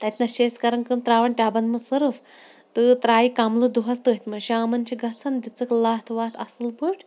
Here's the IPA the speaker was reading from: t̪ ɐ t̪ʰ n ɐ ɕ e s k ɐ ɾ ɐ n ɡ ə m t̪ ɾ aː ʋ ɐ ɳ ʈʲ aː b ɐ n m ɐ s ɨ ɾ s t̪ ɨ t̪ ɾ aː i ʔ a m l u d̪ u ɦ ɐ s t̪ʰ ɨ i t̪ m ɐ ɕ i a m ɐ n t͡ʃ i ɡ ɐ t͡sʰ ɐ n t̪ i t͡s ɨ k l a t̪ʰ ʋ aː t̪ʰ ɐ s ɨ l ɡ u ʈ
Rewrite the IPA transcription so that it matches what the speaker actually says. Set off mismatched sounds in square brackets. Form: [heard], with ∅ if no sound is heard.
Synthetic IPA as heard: t̪ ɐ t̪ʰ n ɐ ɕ e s k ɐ ɾ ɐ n [k] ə m t̪ ɾ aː ʋ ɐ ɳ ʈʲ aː b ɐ n m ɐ s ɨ ɾ [f] t̪ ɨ t̪ ɾ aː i [k] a m l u d̪ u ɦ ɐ s [t̪] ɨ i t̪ m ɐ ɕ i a m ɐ n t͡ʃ i ɡ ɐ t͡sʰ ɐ n [d̪] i t͡s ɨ k l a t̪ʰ ʋ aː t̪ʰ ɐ s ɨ l [b] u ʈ